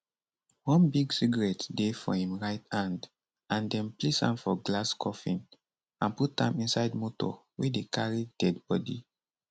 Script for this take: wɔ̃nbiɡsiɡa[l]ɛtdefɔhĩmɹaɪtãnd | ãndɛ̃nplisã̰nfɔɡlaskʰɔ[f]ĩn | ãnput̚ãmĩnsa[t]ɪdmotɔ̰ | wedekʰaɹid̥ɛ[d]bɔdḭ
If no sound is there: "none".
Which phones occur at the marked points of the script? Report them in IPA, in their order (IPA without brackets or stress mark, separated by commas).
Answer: ɹ, f, none, d